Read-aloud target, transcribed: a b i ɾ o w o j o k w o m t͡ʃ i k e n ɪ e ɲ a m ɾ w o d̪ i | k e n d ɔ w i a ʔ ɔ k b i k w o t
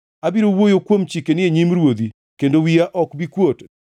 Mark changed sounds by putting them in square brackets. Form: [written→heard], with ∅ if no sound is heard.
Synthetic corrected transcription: a b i ɾ o w o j o k w o m t͡ʃ i k e n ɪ e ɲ [a→i] m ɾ w o d̪ i | k e n d [ɔ→o] w i a ʔ ɔ k b i k w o t